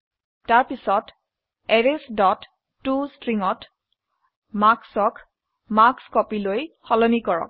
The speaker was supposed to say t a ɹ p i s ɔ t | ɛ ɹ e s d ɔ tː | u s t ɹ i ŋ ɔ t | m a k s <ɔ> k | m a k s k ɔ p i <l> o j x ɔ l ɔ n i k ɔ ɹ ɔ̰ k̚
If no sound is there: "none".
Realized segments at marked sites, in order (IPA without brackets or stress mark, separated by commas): ɔ, l